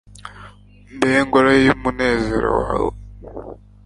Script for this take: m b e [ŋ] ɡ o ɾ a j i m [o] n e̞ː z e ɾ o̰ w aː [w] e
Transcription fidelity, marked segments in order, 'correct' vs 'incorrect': correct, incorrect, correct

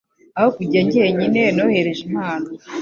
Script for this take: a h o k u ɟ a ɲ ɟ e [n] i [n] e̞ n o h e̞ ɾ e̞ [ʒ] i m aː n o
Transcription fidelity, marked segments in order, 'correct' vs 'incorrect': incorrect, correct, correct

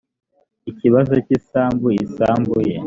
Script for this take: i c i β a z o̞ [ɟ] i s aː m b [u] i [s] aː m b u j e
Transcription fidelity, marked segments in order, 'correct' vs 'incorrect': incorrect, correct, correct

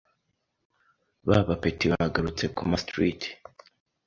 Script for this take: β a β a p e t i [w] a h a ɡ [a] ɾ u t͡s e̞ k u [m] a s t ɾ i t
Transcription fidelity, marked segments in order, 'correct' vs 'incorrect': incorrect, correct, correct

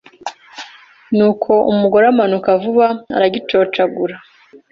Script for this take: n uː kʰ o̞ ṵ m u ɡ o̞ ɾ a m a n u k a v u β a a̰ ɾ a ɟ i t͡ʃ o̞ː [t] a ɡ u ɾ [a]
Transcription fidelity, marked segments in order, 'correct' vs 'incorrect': incorrect, correct

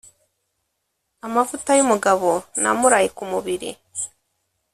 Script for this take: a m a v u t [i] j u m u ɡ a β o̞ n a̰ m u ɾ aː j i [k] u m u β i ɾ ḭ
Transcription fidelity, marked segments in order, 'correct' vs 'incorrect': incorrect, correct

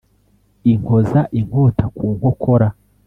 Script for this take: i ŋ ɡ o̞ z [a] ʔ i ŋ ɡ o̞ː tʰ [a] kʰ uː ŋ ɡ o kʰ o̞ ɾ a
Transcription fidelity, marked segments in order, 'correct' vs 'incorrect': correct, correct

